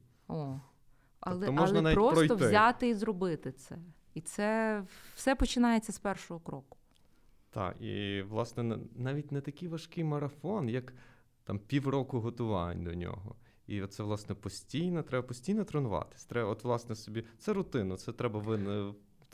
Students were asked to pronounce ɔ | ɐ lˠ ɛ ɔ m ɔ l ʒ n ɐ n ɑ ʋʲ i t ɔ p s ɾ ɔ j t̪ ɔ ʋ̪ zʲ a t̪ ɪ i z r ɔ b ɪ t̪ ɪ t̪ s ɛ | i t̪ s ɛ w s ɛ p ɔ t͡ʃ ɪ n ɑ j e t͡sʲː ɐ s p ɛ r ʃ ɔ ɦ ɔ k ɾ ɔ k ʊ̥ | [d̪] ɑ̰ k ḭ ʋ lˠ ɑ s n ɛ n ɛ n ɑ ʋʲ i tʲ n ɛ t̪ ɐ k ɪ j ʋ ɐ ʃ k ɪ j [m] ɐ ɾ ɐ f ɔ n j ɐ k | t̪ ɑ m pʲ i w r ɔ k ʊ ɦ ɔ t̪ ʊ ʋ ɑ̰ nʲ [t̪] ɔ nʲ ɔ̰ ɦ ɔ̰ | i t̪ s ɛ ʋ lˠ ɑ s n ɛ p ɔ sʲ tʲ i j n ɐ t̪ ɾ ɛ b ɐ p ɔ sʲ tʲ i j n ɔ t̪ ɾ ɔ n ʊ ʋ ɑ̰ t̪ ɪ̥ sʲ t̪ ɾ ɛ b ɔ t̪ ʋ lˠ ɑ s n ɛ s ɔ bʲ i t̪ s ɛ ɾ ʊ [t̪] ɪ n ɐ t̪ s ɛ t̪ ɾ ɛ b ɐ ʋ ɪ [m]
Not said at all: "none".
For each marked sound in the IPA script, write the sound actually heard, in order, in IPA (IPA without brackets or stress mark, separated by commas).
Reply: t̪, m, d̪, t̪, n